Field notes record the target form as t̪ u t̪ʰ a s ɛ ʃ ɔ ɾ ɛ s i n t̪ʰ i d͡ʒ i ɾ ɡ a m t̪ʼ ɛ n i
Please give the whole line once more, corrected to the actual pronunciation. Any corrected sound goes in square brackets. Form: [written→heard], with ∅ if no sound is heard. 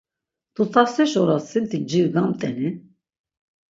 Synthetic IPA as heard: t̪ u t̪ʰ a s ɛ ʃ ɔ ɾ [ɛ→a] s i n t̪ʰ i d͡ʒ i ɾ ɡ a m t̪ʼ ɛ n i